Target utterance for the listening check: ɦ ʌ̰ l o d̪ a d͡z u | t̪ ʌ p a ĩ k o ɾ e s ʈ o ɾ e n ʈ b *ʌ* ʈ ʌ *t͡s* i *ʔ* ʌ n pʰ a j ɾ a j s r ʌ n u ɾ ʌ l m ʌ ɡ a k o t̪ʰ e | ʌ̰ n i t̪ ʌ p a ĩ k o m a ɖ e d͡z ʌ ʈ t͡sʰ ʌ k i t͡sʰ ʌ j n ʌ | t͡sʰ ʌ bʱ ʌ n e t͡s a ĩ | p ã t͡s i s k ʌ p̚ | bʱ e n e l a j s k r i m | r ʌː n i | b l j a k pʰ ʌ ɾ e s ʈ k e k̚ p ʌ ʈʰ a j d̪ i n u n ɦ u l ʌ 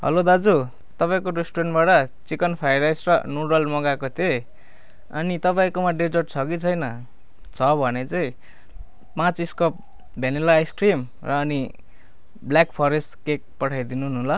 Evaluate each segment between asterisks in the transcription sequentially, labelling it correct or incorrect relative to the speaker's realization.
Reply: incorrect: a, correct, incorrect: k

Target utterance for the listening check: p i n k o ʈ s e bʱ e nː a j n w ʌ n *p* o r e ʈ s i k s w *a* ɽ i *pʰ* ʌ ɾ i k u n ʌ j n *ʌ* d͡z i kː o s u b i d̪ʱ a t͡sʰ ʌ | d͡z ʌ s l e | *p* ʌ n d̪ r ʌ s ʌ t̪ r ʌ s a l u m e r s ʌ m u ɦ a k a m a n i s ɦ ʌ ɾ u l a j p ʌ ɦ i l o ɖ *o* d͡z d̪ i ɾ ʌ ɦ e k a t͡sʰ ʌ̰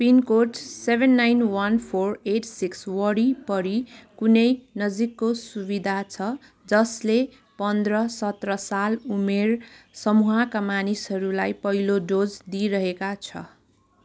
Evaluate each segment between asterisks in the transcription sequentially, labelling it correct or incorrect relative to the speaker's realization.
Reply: incorrect: pʰ, incorrect: ʌ, incorrect: p, correct, correct, correct

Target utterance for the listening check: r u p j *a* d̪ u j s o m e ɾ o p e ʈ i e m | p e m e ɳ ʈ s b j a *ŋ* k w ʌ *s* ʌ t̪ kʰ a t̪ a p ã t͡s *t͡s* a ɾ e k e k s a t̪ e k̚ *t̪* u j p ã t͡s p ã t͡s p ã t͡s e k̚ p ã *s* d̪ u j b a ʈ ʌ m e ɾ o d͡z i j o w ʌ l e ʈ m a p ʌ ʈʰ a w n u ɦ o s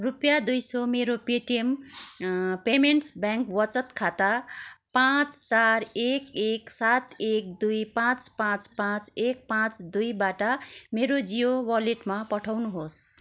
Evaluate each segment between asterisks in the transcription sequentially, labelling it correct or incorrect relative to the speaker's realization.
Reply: correct, correct, incorrect: t͡s, correct, incorrect: d̪, incorrect: t͡s

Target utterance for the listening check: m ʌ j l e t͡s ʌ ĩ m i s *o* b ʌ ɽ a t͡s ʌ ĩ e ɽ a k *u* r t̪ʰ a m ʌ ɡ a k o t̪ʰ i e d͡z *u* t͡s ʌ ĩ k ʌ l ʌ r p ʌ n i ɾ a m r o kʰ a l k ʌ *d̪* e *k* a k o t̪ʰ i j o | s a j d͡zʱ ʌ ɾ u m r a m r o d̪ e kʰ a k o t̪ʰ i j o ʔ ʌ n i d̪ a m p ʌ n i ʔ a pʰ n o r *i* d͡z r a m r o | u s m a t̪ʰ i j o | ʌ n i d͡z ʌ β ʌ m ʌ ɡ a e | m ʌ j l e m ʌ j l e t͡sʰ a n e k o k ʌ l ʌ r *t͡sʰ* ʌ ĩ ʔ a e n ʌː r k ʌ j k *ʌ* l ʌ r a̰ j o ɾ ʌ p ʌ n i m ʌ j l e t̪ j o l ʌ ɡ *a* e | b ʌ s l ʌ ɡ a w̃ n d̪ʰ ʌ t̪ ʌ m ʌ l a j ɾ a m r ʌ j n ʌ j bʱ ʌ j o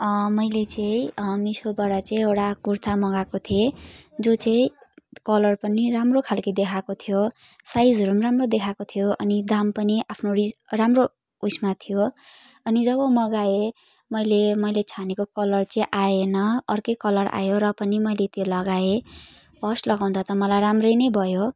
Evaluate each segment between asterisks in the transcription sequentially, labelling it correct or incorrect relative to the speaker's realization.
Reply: correct, correct, incorrect: o, correct, incorrect: kʰ, correct, incorrect: t͡s, correct, correct

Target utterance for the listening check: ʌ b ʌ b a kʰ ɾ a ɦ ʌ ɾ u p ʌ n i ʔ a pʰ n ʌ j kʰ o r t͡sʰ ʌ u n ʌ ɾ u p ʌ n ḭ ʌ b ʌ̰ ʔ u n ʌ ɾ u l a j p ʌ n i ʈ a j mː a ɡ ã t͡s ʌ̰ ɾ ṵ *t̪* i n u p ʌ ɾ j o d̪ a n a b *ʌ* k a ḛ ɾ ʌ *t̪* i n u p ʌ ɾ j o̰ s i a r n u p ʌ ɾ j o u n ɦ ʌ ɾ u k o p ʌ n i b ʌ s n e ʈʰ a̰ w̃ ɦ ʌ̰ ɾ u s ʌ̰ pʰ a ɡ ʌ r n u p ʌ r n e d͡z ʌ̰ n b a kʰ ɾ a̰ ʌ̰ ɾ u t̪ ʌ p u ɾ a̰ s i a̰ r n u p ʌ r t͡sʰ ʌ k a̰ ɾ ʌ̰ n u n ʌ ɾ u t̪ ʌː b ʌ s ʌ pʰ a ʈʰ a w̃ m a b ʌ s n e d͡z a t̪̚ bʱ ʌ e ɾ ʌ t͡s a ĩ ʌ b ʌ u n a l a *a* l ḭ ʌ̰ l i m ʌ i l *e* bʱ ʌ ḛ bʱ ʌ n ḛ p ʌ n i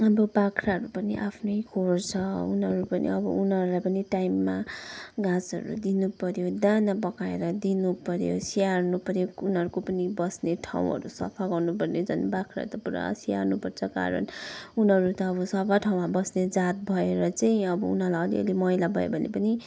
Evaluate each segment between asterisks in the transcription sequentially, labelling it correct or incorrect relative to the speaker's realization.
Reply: incorrect: d̪, correct, incorrect: d̪, incorrect: ʌ, incorrect: a

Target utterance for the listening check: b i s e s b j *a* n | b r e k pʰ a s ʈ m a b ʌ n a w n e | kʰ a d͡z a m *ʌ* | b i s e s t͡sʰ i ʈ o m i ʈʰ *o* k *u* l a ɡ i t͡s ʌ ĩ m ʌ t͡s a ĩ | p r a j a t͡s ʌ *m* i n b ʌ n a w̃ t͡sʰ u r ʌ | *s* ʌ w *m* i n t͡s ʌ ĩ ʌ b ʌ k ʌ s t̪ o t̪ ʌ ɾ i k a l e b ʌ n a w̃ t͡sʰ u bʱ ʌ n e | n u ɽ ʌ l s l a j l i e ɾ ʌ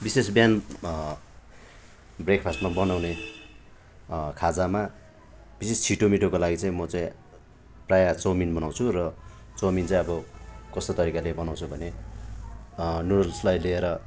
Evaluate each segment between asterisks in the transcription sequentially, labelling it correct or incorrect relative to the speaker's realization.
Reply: correct, incorrect: a, correct, incorrect: o, correct, incorrect: t͡s, correct

